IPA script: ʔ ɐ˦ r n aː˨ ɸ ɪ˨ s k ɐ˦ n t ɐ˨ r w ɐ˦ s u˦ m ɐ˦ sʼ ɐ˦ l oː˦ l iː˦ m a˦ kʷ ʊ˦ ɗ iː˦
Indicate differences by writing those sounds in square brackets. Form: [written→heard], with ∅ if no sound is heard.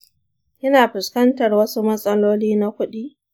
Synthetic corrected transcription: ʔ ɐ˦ [r→∅] n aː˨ ɸ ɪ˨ s k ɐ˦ n t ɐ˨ r w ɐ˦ s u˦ m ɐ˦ sʼ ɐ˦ l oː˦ l iː˦ [m→n] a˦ kʷ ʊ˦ ɗ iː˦